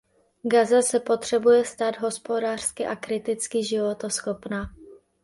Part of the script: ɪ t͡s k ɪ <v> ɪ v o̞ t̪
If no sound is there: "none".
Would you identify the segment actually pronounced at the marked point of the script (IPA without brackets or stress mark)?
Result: ʒ